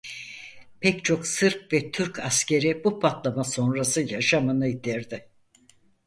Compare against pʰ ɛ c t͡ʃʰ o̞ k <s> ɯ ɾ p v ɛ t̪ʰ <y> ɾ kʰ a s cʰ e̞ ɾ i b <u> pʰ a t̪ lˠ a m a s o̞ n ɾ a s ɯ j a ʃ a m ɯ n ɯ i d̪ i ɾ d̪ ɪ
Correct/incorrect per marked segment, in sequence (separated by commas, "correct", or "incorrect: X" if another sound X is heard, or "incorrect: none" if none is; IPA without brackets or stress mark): correct, correct, correct